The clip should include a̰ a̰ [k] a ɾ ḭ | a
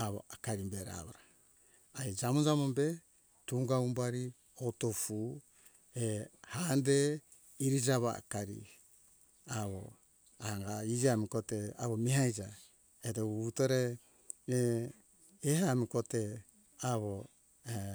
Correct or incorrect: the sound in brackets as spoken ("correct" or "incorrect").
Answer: correct